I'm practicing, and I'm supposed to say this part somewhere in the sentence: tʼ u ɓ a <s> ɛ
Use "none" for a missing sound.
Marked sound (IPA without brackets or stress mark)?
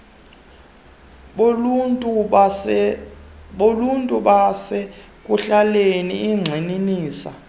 s